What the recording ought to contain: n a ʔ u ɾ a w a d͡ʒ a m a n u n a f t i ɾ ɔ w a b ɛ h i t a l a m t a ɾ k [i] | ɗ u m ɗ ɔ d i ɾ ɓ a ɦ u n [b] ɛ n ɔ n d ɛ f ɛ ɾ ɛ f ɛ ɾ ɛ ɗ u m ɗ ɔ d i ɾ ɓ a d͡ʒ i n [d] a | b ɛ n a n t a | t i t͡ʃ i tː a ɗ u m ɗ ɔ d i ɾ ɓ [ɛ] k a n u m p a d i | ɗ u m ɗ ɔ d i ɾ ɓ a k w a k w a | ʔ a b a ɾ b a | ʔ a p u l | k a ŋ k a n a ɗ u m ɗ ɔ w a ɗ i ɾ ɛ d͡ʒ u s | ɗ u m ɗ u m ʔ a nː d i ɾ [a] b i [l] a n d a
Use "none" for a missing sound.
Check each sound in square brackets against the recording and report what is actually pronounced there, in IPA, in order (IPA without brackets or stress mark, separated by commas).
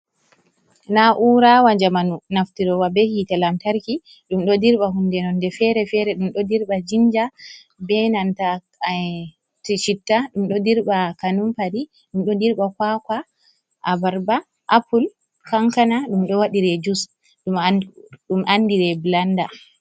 i, d, d͡ʒ, a, ɛ, l